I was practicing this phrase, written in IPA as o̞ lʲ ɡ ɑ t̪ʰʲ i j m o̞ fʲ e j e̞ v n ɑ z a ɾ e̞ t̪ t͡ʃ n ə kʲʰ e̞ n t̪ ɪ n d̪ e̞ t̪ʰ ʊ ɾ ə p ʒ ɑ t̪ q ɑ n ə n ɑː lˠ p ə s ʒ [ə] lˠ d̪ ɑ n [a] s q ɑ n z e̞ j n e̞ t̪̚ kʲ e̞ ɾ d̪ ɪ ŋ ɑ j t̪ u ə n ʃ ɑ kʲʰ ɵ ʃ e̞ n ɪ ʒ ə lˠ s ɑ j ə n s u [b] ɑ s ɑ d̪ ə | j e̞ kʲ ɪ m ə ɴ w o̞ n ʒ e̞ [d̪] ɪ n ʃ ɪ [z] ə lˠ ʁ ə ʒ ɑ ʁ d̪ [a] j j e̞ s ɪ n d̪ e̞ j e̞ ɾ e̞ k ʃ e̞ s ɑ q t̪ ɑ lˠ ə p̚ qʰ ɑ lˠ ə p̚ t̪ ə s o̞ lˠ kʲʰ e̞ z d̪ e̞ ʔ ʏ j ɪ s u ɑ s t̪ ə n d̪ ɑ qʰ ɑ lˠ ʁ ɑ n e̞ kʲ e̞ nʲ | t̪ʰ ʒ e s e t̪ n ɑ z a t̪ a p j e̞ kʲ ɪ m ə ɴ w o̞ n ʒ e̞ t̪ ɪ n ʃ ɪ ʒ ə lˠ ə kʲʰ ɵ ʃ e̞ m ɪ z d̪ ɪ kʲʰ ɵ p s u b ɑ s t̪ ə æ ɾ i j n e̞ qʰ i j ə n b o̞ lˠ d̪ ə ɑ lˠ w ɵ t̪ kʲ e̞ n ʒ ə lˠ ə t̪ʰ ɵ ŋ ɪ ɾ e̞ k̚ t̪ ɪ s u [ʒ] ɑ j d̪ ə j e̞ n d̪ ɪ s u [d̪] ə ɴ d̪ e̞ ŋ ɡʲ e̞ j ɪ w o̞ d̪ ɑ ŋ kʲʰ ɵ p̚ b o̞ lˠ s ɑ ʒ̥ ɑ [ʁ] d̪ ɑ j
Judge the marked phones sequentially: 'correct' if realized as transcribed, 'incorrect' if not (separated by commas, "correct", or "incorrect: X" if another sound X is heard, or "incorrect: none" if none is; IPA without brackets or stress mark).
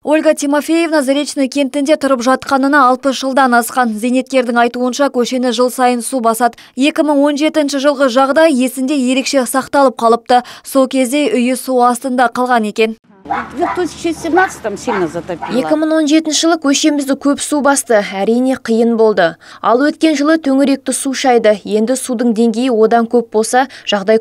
correct, incorrect: ɑ, correct, incorrect: t̪, incorrect: ʒ, incorrect: ɑ, incorrect: ʃ, correct, correct